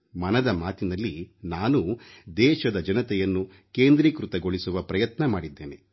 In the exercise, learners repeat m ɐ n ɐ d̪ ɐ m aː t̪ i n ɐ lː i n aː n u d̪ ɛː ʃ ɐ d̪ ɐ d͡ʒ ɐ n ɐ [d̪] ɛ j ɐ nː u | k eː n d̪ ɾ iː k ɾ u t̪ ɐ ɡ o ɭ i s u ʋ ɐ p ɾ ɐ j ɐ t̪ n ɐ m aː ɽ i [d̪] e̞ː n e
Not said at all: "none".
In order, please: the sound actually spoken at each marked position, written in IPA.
t̪, d̪ː

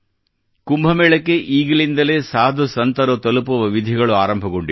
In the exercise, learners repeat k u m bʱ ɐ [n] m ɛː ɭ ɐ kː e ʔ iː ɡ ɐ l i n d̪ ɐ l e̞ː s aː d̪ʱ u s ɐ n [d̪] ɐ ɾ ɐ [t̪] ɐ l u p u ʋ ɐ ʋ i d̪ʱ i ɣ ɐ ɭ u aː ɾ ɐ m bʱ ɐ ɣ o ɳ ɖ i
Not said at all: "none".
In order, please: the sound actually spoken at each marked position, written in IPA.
none, t̪, t̪

